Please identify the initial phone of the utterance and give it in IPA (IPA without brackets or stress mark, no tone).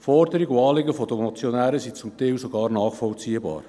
f